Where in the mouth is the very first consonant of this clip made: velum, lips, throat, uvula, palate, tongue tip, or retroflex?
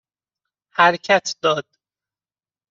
throat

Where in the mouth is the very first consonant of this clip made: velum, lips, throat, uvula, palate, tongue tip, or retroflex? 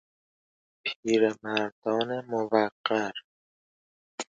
lips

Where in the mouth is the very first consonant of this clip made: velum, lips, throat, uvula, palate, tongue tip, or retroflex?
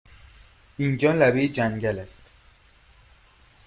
tongue tip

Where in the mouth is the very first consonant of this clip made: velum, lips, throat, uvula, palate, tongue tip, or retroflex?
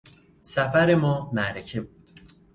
tongue tip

